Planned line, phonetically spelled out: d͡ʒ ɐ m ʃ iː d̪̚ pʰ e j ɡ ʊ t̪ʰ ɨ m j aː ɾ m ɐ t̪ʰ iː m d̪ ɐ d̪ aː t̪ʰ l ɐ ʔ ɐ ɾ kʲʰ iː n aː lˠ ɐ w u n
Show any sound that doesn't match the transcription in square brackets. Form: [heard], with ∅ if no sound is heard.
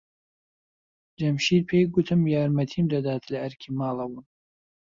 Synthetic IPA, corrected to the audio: d͡ʒ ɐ m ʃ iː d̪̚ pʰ e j ɡ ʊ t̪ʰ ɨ m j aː ɾ m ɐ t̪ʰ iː m d̪ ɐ d̪ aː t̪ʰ l ɐ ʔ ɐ ɾ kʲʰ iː [m] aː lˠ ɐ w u n